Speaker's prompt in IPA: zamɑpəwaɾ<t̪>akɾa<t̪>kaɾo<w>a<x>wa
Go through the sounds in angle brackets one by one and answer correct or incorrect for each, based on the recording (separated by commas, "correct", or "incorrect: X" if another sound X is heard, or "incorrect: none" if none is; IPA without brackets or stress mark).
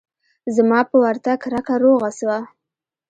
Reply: correct, incorrect: none, incorrect: ɣ, incorrect: s